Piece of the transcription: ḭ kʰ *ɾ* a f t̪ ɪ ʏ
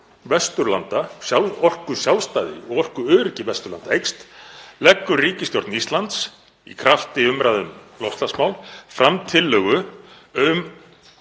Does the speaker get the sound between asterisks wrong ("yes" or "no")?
no